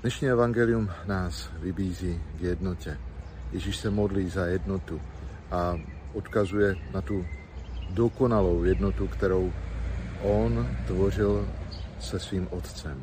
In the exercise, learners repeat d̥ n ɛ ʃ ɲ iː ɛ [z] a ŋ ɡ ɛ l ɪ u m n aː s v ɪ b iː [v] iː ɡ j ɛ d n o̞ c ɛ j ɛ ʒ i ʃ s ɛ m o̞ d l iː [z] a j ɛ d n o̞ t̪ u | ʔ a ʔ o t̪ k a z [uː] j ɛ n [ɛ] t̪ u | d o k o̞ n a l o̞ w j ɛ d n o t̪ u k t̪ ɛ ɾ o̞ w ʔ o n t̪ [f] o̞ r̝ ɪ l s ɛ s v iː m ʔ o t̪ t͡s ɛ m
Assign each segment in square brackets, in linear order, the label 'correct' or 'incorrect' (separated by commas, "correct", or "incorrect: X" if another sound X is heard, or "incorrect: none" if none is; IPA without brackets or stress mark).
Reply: incorrect: v, incorrect: z, correct, incorrect: u, incorrect: a, incorrect: v